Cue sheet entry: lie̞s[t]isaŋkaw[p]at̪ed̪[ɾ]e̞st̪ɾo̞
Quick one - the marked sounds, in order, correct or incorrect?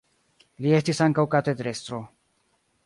correct, incorrect, correct

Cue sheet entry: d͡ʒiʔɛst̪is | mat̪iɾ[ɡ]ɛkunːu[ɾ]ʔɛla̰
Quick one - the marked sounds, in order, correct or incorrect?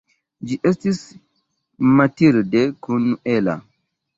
incorrect, incorrect

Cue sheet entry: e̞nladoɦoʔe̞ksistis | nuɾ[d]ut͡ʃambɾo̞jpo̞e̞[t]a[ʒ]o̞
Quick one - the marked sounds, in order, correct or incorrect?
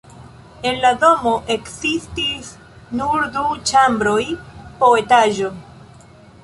correct, correct, correct

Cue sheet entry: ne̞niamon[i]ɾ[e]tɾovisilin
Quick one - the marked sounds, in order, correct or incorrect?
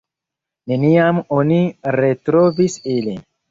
correct, correct

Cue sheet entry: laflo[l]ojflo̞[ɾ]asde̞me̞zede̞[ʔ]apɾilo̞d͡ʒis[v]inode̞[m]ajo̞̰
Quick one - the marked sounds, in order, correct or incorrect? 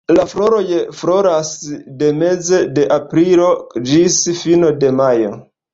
incorrect, correct, correct, incorrect, correct

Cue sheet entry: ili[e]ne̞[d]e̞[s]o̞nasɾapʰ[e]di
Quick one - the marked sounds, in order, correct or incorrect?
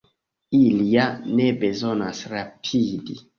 incorrect, incorrect, incorrect, incorrect

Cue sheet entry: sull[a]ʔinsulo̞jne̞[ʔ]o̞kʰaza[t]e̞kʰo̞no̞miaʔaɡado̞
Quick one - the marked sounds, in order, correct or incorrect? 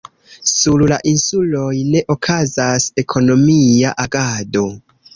correct, correct, incorrect

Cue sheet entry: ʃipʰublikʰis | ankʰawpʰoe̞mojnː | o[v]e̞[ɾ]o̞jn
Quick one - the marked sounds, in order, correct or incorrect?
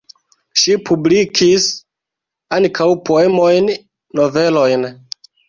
correct, incorrect

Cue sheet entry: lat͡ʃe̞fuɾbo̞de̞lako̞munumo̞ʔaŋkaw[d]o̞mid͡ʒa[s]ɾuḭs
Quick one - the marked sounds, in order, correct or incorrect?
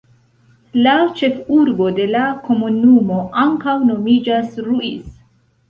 incorrect, correct

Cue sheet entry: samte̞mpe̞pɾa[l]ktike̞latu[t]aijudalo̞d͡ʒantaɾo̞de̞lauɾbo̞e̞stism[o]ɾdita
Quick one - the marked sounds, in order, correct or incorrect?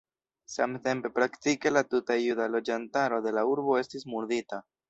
incorrect, correct, incorrect

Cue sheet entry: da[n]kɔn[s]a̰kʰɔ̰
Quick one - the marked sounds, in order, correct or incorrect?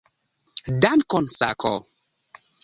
correct, correct

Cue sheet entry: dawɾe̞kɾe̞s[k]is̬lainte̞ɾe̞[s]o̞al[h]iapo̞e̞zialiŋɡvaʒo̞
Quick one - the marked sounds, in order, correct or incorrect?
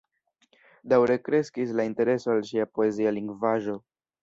correct, correct, incorrect

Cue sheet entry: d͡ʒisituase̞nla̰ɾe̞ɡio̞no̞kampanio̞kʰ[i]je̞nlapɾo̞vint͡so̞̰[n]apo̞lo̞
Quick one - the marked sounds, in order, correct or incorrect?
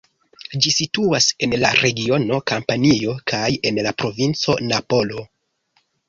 incorrect, correct

